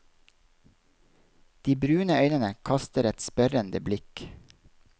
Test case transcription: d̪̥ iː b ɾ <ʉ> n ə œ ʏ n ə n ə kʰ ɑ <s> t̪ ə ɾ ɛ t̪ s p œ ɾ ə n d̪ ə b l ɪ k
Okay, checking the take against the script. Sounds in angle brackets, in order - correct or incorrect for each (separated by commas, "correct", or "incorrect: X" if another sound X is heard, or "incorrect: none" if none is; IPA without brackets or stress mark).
incorrect: ʉː, correct